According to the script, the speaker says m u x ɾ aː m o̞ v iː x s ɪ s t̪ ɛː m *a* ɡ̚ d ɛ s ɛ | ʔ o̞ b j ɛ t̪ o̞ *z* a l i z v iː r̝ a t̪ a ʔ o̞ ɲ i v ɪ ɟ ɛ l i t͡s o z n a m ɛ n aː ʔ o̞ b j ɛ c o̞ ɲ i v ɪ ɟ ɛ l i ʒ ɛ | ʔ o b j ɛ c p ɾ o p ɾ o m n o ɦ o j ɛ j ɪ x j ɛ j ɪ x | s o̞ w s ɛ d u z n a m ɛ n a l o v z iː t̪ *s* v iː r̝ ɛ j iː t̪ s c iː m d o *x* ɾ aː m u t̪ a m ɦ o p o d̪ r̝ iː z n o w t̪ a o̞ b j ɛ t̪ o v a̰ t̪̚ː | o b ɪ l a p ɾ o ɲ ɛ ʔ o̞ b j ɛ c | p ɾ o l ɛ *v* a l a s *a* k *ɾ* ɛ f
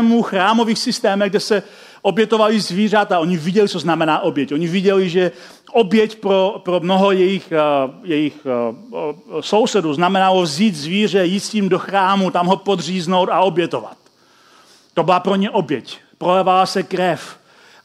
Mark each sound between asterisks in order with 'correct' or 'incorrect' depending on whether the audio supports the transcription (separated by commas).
incorrect, incorrect, incorrect, correct, correct, incorrect, correct